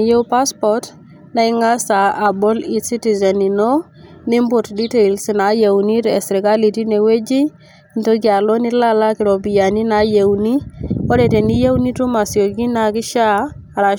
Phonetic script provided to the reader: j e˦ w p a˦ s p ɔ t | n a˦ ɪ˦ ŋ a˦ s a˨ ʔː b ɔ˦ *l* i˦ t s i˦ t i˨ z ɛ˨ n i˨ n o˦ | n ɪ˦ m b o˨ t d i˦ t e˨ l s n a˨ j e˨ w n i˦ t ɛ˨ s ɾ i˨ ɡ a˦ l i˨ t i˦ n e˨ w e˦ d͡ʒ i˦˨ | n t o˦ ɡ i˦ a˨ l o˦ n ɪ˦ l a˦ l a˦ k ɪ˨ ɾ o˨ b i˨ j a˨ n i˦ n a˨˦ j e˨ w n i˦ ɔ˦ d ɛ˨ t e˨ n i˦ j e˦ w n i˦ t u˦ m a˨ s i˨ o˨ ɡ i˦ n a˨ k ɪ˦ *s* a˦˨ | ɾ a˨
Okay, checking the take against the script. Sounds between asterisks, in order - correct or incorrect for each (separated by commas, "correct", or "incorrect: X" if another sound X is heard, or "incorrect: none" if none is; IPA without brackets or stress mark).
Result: correct, incorrect: ʃ